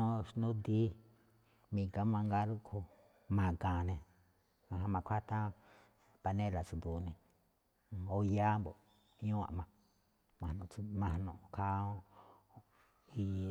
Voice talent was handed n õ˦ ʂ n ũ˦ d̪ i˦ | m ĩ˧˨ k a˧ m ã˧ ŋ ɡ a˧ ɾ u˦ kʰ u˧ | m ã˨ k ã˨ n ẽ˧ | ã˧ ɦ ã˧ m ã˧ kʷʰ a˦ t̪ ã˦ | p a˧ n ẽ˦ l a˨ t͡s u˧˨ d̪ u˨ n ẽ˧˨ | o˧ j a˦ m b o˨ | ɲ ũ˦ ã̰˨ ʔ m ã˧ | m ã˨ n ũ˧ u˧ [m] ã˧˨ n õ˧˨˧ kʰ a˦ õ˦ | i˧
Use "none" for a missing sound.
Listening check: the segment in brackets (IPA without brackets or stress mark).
m